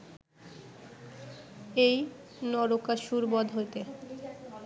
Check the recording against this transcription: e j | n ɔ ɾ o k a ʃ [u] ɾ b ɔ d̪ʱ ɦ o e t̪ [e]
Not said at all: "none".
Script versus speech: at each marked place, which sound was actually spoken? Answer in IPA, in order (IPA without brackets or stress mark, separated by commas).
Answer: u, e